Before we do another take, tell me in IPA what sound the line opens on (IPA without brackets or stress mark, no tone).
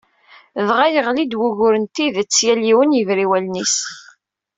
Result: ð